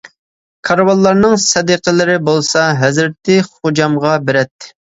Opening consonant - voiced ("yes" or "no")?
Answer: no